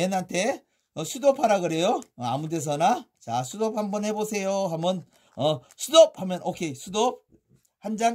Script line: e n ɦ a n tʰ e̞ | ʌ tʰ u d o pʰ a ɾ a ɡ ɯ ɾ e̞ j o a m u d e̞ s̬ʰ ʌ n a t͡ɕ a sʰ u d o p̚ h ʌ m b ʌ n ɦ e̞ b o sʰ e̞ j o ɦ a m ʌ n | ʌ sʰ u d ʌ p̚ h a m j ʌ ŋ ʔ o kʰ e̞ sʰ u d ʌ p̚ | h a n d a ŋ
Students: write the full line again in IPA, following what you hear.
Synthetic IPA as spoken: e n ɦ a n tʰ e̞ | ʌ sʰ u d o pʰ a ɾ a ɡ ɯ ɾ e̞ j o a m u d e̞ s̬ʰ ʌ n a t͡ɕ a sʰ u d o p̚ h a m b ʌ n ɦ e̞ b o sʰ e̞ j o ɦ a m ʌ n | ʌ sʰ u d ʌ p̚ h a m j ʌ n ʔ o kʰ e̞ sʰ u d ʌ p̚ | h a n d͡ʑ a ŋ